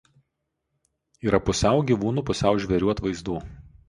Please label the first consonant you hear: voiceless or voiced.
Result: voiced